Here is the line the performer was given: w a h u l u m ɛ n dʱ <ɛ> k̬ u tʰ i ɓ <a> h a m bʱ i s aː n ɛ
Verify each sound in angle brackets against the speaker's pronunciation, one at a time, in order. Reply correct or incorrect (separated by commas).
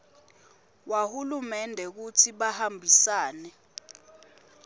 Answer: correct, correct